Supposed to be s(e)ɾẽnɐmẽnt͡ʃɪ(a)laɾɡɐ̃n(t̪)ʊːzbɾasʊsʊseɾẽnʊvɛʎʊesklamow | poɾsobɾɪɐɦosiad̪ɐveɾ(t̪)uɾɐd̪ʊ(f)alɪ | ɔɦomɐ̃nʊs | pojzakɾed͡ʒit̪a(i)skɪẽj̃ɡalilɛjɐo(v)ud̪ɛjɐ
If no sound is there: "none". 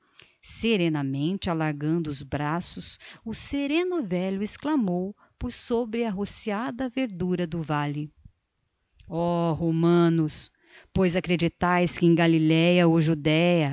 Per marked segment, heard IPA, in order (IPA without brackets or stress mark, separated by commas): e, a, d̪, d̪, v, j, ʒ